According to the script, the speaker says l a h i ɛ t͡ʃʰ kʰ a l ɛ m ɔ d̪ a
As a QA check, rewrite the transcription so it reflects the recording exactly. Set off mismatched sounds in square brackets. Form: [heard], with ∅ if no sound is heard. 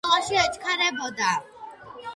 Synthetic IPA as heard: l a [ʃ] i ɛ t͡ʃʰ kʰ a [ɾ] ɛ [b] ɔ d̪ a